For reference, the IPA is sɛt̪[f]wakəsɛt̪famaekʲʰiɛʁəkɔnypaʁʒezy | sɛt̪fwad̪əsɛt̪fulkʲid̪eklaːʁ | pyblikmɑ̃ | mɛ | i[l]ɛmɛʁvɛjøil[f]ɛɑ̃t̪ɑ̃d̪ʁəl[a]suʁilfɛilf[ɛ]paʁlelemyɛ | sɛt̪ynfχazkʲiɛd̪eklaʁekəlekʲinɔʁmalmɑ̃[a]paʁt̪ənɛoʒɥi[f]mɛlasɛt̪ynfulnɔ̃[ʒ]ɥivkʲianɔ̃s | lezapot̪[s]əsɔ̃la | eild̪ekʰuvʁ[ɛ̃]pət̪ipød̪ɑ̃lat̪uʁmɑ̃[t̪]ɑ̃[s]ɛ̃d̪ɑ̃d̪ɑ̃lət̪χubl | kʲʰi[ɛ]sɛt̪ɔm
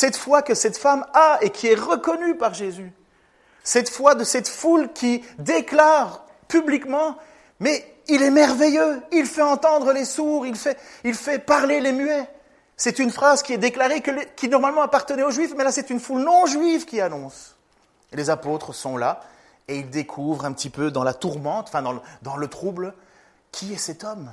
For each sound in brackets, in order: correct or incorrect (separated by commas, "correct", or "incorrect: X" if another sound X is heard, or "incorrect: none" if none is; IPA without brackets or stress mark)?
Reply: correct, correct, correct, incorrect: e, correct, correct, correct, correct, incorrect: χ, correct, correct, incorrect: f, correct